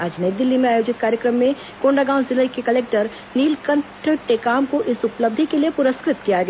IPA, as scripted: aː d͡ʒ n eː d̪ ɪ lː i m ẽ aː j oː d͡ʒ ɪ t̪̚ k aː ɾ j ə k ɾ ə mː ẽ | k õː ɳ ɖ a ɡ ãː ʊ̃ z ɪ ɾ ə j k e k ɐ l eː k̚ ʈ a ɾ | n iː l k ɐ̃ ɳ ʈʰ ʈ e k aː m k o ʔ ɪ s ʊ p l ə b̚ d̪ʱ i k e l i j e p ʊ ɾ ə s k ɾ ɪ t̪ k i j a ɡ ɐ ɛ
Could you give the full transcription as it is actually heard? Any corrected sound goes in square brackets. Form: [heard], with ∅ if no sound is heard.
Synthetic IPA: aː d͡ʒ n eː d̪ ɪ lː i m ẽ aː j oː d͡ʒ ɪ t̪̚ k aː ɾ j ə k ɾ ə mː ẽ | k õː ɳ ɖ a ɡ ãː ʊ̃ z ɪ [l] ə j k e k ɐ l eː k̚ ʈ [ə] ɾ | n iː l k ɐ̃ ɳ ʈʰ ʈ e k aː m k o ʔ ɪ s ʊ p l ə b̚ d̪ʱ i k e l i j e p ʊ ɾ ə s k ɾ ɪ t̪ k i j a ɡ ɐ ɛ